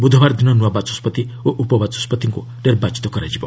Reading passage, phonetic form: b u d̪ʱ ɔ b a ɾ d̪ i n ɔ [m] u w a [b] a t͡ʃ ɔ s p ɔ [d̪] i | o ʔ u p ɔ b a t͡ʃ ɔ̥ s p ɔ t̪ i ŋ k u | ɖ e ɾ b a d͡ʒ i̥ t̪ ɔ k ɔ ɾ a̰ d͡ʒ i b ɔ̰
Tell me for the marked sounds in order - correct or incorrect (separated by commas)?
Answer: incorrect, correct, incorrect